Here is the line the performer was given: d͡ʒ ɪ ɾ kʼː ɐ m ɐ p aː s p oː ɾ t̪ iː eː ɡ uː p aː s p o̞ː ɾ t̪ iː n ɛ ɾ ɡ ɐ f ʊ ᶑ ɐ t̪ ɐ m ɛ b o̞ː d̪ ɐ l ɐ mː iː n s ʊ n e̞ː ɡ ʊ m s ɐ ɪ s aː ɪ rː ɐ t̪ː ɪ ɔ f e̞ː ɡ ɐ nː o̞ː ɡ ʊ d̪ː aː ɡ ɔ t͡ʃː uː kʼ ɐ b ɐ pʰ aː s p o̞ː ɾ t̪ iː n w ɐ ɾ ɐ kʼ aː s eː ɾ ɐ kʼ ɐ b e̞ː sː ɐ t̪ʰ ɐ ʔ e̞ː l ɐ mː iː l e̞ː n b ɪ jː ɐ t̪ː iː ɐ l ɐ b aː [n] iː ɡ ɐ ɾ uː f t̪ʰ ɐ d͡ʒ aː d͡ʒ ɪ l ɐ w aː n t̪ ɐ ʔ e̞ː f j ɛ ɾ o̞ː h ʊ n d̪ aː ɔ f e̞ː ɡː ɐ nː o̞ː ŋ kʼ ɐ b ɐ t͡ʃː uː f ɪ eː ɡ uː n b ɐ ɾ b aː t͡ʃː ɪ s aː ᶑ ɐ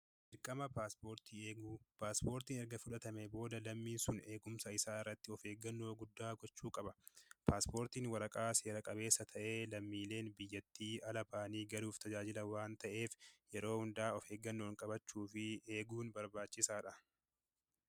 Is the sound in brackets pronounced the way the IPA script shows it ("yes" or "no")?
yes